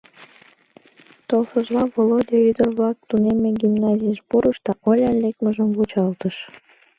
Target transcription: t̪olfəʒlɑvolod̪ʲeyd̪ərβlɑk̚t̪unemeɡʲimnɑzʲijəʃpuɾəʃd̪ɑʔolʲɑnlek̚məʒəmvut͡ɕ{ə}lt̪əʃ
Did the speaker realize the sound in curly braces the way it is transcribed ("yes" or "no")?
no